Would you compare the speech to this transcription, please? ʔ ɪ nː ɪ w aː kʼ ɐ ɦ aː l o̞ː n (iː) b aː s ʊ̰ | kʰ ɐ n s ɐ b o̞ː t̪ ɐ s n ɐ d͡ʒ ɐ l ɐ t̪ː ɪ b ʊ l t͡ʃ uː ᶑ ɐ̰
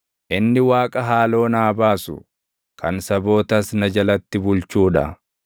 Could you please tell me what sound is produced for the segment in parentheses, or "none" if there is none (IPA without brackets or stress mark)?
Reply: aː